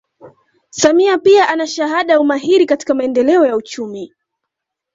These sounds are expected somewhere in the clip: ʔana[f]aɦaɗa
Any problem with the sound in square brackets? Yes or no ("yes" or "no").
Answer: yes